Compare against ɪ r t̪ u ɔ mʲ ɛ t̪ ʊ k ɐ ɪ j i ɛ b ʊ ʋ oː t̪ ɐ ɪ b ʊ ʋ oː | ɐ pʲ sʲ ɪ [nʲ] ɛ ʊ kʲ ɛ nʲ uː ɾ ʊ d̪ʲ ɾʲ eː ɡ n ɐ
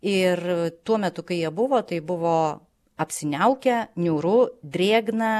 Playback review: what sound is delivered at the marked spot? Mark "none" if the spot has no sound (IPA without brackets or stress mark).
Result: nʲ